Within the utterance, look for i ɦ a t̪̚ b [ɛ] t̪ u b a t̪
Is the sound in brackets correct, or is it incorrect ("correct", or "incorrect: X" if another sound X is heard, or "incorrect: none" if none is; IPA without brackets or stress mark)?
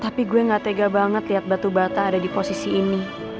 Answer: incorrect: a